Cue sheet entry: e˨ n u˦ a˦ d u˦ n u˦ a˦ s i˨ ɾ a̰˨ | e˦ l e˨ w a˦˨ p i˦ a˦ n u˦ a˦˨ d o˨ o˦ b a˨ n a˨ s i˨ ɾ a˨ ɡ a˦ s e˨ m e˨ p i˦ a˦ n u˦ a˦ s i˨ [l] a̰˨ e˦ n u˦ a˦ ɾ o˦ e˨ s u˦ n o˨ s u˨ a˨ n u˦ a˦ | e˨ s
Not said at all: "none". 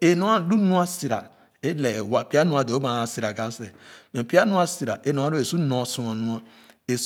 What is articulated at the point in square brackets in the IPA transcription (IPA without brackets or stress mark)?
ɾ